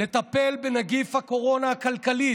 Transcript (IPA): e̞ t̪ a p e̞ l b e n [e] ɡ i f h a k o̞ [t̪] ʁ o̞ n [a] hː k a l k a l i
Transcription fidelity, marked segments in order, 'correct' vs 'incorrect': incorrect: a, incorrect: none, correct

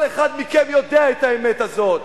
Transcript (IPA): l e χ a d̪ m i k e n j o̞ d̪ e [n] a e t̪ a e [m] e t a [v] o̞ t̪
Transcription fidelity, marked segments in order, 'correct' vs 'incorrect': incorrect: none, correct, incorrect: z

